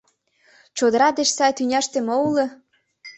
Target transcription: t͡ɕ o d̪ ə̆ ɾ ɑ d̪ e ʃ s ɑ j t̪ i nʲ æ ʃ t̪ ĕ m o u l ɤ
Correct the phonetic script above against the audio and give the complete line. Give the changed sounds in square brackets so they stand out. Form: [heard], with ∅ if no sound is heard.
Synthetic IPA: t͡ɕ o d̪ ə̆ ɾ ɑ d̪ e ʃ s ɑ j t̪ [y] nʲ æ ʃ t̪ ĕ m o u l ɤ